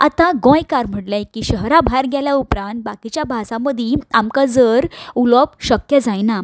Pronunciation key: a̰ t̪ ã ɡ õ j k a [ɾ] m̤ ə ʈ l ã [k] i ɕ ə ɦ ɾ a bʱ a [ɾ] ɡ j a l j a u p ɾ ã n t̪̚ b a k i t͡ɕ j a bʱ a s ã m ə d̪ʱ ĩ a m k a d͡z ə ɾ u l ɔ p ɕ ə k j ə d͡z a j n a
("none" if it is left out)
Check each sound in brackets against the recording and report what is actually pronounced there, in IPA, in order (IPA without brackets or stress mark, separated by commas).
ɾ, k, ɾ